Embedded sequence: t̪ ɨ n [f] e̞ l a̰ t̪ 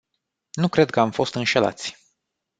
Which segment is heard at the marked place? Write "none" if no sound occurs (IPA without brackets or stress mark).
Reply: ʃ